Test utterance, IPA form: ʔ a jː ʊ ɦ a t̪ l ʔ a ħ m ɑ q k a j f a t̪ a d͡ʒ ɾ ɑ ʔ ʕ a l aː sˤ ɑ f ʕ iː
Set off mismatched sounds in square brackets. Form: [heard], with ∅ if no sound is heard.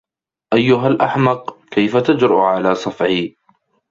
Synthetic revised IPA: ʔ a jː ʊ ɦ a [∅] l ʔ a ħ m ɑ q k a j f a t̪ a d͡ʒ ɾ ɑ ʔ ʕ a l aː sˤ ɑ f ʕ iː